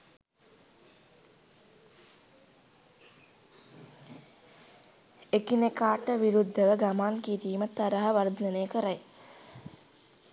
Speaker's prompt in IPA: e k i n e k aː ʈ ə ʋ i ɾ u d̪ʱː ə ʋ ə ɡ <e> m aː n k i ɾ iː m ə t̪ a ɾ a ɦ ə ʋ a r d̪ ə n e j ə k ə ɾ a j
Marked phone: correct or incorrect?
incorrect